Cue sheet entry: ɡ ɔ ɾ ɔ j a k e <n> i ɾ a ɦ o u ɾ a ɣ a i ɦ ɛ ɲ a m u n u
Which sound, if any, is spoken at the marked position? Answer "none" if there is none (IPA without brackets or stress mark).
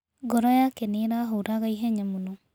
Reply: n